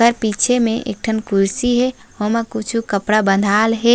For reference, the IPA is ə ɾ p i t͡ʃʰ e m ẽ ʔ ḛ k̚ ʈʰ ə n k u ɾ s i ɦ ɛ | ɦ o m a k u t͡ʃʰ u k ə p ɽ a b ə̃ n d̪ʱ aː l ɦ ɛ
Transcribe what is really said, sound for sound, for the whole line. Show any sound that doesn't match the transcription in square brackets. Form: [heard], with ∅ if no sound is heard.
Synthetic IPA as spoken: ə ɾ p i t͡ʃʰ e m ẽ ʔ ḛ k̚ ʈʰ ə n k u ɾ s i ɦ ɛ | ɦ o m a k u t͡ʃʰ u k ə p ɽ a b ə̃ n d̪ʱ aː l ɦ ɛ